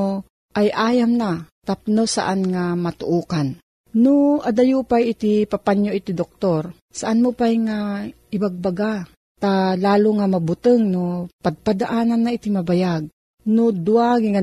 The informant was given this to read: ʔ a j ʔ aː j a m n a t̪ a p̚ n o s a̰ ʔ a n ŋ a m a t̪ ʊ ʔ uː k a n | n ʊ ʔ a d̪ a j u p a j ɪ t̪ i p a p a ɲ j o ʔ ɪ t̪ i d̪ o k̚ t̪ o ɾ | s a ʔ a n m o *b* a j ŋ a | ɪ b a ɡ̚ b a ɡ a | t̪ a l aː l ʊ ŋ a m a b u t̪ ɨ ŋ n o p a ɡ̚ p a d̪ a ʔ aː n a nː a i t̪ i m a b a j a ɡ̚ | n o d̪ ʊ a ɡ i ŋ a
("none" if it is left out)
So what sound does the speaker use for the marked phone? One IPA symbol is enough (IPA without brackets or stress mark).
p